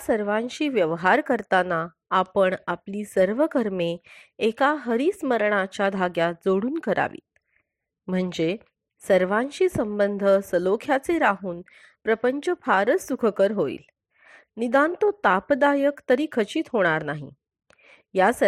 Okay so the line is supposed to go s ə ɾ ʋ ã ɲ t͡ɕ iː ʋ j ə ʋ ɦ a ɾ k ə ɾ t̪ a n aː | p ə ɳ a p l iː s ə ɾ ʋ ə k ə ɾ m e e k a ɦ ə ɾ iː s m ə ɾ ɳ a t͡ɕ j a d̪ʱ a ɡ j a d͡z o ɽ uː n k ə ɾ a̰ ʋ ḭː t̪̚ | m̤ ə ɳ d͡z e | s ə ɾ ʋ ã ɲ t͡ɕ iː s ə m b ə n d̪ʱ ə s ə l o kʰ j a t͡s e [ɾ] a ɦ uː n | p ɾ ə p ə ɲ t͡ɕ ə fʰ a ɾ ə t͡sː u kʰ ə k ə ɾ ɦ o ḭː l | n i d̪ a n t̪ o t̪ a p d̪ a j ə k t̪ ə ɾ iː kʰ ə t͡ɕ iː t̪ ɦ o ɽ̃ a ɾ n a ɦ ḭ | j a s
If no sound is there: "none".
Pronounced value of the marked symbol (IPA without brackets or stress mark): ɾ